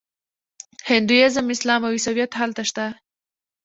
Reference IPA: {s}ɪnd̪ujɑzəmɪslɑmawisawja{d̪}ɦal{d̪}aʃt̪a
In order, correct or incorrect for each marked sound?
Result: incorrect: h, incorrect: t̪, incorrect: t̪

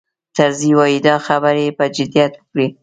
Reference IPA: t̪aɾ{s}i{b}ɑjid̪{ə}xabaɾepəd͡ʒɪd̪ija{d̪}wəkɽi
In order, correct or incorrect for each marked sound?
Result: incorrect: z, incorrect: w, incorrect: ɑ, incorrect: t̪

